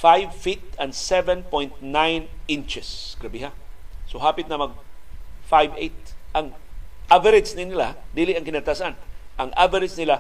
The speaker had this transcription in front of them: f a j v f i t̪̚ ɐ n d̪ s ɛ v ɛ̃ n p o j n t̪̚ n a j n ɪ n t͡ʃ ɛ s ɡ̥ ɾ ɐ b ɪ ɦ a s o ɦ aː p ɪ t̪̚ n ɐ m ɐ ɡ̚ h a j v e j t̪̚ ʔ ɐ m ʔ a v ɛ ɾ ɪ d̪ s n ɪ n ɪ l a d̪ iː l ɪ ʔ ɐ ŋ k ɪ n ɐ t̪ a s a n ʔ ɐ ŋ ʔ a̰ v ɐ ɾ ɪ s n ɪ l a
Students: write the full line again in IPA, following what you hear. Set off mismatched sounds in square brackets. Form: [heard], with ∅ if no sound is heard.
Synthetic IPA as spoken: f a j v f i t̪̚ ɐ n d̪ s ɛ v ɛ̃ n p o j n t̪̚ n a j n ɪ n t͡ʃ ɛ s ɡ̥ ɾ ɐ b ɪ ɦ a s o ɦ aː p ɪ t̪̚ n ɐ m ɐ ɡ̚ [f] a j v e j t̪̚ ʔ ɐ [ŋ] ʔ a v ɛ ɾ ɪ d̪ s n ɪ n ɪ l a d̪ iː l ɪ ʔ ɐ ŋ k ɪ n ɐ t̪ a s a n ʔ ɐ ŋ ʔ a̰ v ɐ ɾ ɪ s n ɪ l a